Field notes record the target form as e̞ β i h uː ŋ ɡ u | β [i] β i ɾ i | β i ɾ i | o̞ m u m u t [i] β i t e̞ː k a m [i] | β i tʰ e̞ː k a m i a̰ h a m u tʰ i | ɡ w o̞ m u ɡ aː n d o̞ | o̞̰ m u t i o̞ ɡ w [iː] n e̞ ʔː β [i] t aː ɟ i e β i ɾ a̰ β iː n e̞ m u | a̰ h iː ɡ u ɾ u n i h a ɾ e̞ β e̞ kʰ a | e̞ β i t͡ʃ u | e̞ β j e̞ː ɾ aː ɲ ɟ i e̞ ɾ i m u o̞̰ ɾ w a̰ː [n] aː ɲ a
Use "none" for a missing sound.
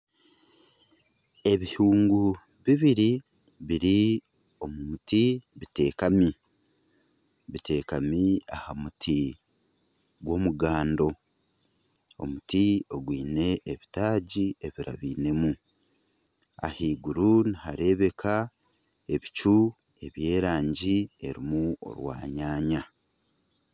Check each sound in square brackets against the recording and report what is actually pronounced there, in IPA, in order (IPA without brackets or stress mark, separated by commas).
i, i, i, iː, i, ɲ